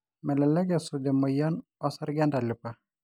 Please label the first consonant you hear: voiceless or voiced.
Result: voiced